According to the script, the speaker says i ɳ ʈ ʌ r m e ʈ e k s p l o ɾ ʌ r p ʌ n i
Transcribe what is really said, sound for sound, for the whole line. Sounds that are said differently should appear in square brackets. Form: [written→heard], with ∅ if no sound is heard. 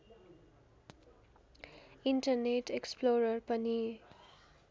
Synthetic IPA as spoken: i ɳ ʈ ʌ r [m→n] e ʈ e k s p l o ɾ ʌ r p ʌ n i